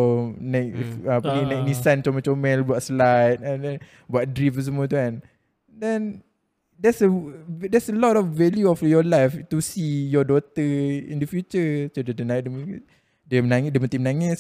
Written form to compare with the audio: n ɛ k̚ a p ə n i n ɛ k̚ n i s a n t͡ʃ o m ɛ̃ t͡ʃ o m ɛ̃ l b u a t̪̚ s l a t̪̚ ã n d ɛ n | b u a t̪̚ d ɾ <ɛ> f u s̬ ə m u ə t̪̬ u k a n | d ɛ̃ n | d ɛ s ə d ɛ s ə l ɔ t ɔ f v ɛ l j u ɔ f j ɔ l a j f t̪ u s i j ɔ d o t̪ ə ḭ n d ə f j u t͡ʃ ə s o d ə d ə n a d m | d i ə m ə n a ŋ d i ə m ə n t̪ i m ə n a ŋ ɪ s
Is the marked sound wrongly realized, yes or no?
yes